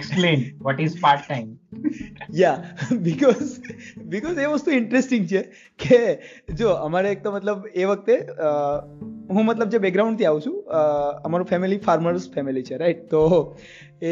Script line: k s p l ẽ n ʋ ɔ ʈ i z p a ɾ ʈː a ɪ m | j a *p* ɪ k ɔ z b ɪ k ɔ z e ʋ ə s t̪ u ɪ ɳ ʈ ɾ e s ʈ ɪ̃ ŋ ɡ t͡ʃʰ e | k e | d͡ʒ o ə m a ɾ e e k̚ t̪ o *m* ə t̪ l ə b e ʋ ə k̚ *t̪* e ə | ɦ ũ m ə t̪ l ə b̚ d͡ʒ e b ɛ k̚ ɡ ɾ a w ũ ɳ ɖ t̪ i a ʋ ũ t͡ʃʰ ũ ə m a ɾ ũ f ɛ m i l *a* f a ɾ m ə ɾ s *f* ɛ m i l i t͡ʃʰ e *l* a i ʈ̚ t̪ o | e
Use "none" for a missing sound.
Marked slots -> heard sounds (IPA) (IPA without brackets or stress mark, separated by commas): b, m, t̪, i, f, ɾ